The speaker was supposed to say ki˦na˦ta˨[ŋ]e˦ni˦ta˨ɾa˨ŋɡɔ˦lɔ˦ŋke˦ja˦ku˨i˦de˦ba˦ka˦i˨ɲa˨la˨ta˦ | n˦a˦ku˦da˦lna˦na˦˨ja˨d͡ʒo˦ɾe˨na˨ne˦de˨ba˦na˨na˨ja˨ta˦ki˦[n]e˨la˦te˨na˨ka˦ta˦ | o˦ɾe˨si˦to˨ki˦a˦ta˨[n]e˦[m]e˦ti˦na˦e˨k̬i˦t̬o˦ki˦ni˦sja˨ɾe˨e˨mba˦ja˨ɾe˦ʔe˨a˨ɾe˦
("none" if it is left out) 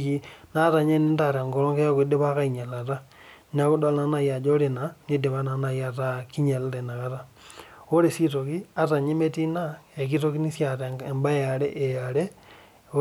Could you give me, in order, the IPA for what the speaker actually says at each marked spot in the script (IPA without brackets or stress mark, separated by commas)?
ɲ, ɲ, ɲ, m